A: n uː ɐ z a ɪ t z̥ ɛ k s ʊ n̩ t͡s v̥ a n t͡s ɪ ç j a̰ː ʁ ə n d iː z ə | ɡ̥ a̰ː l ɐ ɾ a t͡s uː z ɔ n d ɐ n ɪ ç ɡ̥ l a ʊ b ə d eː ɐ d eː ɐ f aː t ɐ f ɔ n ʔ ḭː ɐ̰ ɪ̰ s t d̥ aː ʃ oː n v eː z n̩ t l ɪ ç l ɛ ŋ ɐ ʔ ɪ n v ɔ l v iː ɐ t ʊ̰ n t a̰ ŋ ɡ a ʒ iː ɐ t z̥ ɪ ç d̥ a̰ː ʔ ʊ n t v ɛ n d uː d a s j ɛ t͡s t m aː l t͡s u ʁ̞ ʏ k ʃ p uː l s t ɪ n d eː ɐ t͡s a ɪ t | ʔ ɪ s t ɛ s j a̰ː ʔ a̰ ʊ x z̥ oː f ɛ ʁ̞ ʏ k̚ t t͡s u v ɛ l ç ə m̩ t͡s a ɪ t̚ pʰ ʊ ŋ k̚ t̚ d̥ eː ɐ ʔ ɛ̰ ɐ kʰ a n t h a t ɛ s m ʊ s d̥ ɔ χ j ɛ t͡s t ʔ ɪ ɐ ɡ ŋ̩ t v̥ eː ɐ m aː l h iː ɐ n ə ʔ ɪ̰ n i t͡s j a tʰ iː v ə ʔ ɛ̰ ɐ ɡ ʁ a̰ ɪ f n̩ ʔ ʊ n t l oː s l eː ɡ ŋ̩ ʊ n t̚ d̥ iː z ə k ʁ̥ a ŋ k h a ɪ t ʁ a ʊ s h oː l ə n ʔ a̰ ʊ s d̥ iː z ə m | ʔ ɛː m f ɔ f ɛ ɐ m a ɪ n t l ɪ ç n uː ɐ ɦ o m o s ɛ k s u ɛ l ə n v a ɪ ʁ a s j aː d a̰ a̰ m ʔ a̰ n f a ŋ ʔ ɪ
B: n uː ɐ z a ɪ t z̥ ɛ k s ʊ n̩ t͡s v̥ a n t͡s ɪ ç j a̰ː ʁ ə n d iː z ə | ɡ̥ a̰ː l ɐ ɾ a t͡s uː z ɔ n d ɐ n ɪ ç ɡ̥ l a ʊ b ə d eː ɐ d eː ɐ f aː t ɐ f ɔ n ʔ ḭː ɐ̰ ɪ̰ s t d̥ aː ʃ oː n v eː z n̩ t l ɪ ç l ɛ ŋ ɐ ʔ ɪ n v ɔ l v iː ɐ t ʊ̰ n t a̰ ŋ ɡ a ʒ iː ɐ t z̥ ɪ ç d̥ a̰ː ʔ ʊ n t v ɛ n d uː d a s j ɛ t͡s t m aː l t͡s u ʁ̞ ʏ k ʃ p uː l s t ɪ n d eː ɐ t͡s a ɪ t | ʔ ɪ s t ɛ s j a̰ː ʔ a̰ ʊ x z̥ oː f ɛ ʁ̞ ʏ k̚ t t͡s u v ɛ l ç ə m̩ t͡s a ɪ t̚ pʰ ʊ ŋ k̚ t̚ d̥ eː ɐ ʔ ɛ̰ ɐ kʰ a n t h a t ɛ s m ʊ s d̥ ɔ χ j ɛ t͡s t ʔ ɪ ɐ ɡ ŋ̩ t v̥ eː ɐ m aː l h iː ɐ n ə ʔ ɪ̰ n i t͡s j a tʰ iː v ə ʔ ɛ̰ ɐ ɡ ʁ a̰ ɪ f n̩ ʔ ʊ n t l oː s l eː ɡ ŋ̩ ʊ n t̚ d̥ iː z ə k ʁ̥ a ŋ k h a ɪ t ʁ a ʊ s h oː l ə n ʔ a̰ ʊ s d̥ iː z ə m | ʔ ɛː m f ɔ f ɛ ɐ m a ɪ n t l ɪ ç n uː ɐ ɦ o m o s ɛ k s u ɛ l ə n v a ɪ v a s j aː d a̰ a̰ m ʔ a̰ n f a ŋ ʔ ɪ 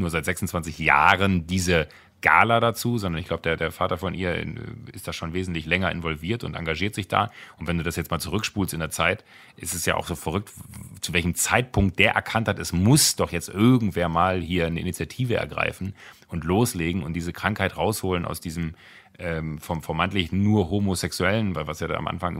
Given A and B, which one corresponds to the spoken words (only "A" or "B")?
B